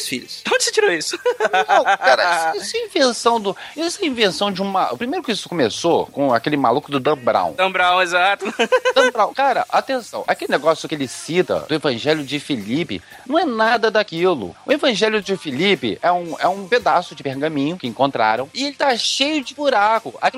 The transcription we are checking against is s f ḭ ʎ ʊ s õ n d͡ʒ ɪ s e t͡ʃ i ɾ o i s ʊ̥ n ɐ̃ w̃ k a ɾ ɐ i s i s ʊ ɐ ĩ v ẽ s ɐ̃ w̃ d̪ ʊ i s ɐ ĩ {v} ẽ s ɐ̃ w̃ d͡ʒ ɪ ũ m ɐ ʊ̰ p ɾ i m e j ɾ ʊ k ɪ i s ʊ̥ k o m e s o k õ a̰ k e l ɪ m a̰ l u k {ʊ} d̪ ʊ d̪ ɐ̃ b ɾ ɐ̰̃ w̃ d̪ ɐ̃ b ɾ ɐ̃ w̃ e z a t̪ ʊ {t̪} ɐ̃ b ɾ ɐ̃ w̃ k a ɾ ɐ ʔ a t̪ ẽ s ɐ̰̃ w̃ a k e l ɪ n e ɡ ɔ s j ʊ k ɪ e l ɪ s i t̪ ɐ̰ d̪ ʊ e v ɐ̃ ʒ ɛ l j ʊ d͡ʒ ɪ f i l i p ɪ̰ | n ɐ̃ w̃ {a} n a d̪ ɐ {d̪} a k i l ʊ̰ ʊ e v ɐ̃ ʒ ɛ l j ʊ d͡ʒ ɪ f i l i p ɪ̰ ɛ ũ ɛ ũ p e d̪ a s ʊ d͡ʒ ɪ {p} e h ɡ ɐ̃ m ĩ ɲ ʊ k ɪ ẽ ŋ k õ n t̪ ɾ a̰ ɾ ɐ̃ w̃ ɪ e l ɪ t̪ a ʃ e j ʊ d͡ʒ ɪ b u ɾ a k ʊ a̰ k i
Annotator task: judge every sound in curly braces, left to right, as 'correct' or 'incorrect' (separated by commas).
correct, correct, incorrect, incorrect, correct, correct